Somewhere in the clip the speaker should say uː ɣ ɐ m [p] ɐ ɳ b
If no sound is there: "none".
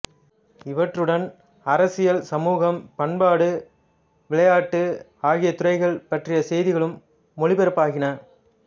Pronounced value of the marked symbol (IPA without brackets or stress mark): p